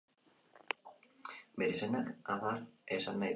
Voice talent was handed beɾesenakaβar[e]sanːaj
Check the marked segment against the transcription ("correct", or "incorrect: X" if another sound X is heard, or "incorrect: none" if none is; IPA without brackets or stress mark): correct